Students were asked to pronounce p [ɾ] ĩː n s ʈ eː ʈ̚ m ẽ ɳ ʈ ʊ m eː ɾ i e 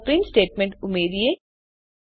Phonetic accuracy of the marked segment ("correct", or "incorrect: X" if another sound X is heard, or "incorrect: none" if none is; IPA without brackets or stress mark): correct